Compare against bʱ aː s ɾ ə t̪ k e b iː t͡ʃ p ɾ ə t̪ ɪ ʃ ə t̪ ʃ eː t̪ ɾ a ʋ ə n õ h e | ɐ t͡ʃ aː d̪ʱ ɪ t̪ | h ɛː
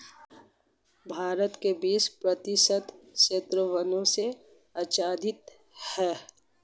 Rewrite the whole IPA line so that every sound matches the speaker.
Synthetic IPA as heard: bʱ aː ɾ ə t̪ k e b iː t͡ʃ p ɾ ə t̪ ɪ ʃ ə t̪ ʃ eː t̪ ɾ ə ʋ ə n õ s e | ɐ t͡ʃ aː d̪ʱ ɪ t̪ | h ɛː